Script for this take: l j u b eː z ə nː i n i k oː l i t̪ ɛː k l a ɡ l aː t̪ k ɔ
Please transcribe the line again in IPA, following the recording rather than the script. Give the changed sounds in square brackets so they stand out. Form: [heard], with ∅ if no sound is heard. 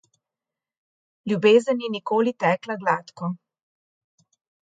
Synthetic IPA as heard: l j u b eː z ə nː i n i k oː l i t̪ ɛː k l a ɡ l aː t̪ k ɔ